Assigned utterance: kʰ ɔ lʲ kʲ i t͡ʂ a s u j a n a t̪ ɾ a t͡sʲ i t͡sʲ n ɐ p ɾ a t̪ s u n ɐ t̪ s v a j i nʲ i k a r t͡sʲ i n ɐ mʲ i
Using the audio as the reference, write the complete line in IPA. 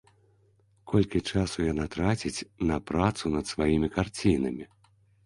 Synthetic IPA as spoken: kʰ ɔ lʲ kʲ i t͡ʂ a s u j a n a t̪ ɾ a t͡sʲ i t͡sʲ n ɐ p ɾ a t̪ s u n ɐ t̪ s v a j i mʲ i k a r t͡sʲ i n ɐ mʲ i